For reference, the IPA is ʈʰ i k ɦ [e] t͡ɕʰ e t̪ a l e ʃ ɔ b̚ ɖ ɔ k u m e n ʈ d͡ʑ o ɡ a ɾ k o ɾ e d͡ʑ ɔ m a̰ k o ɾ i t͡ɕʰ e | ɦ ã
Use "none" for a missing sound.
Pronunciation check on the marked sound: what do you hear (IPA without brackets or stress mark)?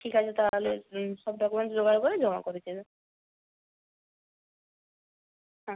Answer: a